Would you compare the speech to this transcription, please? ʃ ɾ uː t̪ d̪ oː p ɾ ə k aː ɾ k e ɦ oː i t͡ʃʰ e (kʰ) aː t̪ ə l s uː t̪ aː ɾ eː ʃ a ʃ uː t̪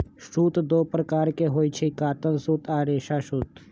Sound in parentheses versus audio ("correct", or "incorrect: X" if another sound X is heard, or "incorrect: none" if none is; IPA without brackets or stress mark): incorrect: k